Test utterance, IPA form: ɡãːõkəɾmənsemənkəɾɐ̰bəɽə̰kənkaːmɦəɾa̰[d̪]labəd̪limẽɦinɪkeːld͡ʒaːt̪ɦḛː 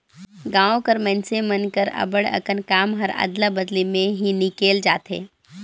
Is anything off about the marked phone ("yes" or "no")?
no